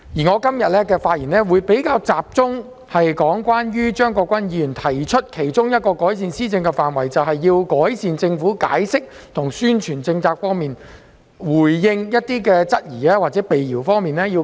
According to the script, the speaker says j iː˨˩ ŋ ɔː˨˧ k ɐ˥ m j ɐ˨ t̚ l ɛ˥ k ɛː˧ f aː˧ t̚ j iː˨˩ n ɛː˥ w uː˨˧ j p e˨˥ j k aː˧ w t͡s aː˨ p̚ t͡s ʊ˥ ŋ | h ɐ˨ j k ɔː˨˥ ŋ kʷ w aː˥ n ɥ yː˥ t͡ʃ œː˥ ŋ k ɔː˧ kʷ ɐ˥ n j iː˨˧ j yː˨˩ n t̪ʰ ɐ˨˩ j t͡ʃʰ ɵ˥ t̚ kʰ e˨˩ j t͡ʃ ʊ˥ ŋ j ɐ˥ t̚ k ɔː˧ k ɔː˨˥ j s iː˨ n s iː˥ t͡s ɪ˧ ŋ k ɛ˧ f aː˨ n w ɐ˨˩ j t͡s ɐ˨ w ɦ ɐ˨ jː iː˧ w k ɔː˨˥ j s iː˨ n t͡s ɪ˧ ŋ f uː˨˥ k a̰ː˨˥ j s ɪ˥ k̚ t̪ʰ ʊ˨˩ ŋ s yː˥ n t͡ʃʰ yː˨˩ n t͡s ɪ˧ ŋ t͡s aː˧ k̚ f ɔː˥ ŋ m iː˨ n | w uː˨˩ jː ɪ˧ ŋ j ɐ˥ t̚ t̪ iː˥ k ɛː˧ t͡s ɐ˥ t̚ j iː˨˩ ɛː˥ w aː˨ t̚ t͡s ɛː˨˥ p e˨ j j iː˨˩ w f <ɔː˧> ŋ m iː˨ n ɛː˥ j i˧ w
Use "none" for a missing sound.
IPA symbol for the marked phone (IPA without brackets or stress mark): ɔː˥